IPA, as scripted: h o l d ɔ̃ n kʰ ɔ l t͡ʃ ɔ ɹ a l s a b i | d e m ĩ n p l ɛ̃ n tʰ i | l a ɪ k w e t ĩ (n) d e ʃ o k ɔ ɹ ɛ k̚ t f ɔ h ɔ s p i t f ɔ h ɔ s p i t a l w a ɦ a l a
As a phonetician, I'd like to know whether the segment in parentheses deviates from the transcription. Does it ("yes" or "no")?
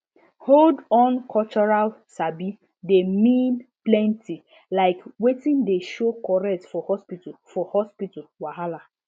no